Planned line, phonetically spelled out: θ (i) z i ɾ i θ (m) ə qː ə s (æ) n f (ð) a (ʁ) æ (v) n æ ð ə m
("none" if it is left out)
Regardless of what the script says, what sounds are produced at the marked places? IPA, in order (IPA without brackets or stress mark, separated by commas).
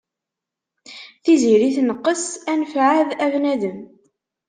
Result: i, n, æ, ʕ, ð, v